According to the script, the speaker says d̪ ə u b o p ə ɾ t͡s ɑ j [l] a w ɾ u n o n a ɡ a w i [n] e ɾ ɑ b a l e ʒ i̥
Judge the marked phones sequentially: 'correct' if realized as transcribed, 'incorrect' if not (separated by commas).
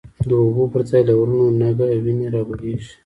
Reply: correct, correct